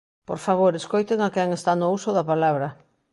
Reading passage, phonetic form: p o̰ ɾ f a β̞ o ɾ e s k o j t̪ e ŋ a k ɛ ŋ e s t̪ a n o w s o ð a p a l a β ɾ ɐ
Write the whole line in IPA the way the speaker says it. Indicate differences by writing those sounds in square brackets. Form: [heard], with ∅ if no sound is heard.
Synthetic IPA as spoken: p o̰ ɾ f a β̞ o ɾ e s k o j t̪ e ŋ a k ɛ ŋ e s t̪ a n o [u] s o ð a p a l a β ɾ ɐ